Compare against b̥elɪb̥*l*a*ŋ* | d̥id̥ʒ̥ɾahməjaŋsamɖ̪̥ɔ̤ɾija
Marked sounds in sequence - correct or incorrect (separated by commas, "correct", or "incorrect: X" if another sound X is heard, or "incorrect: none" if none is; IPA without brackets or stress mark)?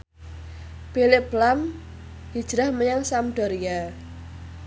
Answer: correct, incorrect: m